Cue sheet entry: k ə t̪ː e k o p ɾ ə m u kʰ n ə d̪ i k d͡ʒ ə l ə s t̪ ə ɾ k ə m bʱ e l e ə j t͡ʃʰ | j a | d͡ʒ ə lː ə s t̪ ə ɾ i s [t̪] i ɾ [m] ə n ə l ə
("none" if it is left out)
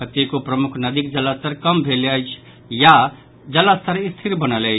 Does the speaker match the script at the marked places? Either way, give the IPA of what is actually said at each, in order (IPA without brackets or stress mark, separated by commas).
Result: t̪ʰ, b